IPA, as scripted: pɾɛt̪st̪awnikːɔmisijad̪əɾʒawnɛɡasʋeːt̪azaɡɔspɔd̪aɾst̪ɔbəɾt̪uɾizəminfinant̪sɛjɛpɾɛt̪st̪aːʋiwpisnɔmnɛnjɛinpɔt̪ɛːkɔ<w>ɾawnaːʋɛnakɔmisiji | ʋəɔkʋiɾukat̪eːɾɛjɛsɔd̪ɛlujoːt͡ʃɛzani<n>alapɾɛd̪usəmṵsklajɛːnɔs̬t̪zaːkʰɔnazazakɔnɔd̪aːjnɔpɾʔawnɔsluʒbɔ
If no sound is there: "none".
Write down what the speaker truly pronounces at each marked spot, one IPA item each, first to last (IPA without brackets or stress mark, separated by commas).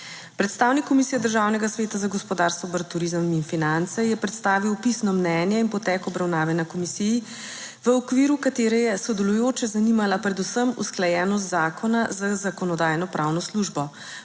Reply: b, m